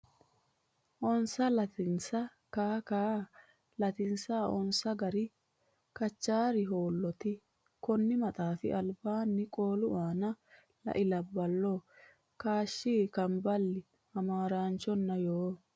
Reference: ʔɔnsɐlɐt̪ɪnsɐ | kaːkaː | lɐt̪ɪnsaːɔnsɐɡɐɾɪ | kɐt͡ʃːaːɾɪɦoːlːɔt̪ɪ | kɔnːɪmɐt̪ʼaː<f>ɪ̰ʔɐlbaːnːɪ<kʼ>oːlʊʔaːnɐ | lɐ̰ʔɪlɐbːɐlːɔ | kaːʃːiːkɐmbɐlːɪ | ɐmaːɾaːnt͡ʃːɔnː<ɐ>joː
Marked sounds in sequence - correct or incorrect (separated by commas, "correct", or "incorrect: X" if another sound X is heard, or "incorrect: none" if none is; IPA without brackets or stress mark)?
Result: correct, correct, correct